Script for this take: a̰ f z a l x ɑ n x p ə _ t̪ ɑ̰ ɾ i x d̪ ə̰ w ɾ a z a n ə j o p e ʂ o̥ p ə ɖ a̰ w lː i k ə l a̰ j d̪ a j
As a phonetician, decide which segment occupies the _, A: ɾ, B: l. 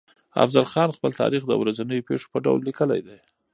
B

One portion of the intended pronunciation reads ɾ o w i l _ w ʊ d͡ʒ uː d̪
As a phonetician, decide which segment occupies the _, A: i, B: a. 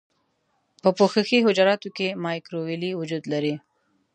A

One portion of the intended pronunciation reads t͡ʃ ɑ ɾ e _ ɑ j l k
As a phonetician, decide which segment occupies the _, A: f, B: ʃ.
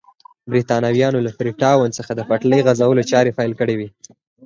A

